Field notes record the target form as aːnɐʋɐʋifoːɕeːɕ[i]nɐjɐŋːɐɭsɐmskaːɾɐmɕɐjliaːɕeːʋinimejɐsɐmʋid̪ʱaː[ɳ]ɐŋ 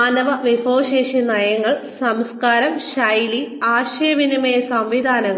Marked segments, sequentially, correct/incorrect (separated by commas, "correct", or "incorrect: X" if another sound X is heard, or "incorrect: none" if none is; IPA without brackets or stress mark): correct, incorrect: n